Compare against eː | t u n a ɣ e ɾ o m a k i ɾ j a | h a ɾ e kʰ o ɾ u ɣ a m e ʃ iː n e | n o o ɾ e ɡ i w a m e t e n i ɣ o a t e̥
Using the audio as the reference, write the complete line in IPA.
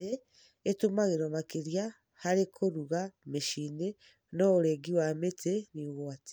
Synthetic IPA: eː | t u m a ɣ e ɾ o m a k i ɾ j a | h a ɾ e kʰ o ɾ u ɣ a m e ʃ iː n e | n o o ɾ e ɡ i w a m e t e n i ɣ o a t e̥